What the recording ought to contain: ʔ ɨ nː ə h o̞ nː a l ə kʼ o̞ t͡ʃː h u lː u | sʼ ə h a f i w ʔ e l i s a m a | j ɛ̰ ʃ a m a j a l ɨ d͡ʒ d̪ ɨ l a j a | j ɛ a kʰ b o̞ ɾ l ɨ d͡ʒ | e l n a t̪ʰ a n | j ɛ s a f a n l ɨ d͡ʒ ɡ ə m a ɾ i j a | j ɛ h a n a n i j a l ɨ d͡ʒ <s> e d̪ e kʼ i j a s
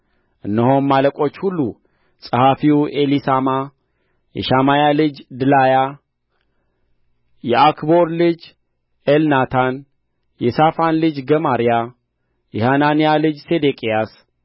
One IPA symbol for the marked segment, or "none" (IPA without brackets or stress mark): s